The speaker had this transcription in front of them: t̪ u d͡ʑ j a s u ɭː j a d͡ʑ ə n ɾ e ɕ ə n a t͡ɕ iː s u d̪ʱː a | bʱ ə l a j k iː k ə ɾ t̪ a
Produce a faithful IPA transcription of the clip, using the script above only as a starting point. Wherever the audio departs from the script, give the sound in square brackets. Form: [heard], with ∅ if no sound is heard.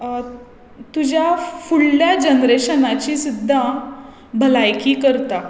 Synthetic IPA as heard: t̪ u d͡ʑ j a [f] u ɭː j a d͡ʑ ə n ɾ e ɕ ə n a t͡ɕ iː s u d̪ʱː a | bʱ ə l a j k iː k ə ɾ t̪ a